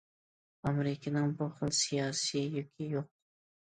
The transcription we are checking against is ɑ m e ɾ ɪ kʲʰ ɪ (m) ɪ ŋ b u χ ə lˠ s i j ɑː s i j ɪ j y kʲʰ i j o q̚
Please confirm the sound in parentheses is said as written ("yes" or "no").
no